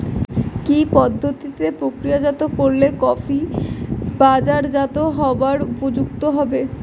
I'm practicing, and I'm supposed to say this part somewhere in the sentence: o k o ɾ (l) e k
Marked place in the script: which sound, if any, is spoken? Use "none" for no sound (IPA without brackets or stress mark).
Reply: l